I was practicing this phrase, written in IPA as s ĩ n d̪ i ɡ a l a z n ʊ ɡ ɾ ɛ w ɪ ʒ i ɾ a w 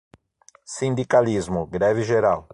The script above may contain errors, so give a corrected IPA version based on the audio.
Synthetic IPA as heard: s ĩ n d̪ i k a l i z m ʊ ɡ ɾ ɛ v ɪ ʒ e ɾ a w